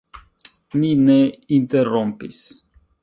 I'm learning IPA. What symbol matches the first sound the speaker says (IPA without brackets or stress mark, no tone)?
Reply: m